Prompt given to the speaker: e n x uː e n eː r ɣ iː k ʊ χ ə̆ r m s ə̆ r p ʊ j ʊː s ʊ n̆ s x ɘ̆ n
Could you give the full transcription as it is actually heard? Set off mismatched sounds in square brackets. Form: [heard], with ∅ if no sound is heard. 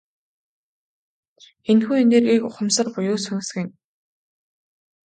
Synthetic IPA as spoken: e n x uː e n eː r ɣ iː k ʊ χ ə̆ [∅] m s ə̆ r p ʊ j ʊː s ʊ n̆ s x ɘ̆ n